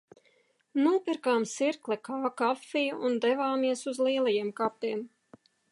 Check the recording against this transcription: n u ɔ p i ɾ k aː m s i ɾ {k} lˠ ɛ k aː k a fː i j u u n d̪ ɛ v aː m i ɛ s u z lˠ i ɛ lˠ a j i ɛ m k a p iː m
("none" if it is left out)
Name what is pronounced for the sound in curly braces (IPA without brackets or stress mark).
k